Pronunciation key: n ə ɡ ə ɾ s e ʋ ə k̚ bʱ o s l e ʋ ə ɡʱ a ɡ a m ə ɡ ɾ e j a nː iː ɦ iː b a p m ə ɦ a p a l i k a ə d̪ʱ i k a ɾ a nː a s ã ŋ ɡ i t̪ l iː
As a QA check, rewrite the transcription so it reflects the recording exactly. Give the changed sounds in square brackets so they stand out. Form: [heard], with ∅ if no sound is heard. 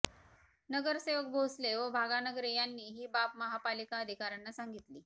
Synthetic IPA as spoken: n ə ɡ ə ɾ s e ʋ ə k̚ bʱ o s l e ʋ ə [bʱ] a ɡ a [n] ə ɡ ɾ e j a nː iː ɦ iː b a p m ə ɦ a p a l i k a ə d̪ʱ i k a ɾ a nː a s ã ŋ ɡ i t̪ l iː